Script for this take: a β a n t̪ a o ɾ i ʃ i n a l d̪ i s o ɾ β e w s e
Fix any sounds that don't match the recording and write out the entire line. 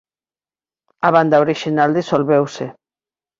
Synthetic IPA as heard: a β a n d̪ a o ɾ i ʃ i n a l d̪ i s o l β e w s e